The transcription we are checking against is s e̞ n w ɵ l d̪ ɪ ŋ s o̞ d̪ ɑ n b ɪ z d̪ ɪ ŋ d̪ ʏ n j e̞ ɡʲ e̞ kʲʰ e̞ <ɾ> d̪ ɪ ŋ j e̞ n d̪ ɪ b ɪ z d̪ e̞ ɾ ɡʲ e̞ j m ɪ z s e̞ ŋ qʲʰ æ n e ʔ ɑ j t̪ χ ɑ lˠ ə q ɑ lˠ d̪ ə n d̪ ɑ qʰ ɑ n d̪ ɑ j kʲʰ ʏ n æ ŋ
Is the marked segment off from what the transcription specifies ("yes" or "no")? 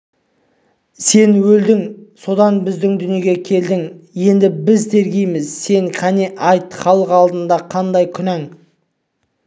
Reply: yes